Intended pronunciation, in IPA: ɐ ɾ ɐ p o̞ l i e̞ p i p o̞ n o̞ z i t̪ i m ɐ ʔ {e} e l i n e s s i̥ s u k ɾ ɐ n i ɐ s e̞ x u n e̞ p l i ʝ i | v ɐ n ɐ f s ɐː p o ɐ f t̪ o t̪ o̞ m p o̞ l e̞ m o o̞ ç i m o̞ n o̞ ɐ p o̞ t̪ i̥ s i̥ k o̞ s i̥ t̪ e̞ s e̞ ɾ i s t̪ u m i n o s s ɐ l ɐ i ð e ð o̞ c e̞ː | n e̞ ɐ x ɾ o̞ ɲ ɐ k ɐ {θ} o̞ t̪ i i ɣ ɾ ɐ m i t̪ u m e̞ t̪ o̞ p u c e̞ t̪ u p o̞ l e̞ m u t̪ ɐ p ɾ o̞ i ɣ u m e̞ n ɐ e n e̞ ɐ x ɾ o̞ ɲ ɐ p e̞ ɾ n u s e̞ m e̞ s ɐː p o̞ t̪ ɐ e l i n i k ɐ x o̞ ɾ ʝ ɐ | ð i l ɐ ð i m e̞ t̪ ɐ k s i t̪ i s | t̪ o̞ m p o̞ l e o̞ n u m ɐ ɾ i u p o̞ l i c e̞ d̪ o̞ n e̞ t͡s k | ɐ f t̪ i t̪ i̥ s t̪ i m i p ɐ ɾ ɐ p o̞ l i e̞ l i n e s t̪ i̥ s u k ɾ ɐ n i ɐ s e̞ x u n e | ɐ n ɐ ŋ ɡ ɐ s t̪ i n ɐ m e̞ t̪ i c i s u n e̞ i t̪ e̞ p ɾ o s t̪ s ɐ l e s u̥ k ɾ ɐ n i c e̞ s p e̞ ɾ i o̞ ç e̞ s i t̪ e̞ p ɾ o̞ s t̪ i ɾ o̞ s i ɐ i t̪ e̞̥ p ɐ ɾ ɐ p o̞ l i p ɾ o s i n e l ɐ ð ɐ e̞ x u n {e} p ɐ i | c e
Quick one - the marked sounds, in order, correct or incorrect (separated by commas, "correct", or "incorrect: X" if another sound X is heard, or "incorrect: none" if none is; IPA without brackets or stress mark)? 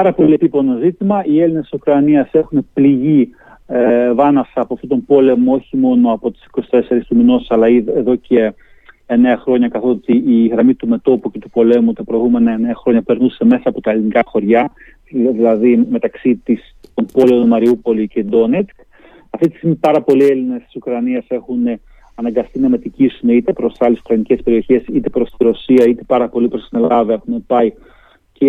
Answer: incorrect: i, correct, correct